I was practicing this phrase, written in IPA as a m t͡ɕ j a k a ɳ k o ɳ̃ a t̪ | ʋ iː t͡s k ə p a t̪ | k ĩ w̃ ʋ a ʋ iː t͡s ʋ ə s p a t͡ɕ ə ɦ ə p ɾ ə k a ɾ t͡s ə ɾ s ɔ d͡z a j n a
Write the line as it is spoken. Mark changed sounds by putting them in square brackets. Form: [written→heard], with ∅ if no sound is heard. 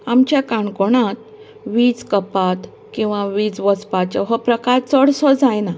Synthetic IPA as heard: a m t͡ɕ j a k a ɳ k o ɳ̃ a t̪ | ʋ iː t͡s k ə p a t̪ | k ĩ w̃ ʋ a ʋ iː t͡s ʋ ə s p a t͡ɕ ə ɦ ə p ɾ ə k a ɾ t͡s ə [ɾ→ɽ] s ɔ d͡z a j n a